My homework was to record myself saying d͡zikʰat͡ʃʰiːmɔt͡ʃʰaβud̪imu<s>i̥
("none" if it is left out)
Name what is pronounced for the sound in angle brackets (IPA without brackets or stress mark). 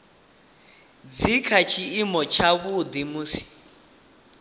s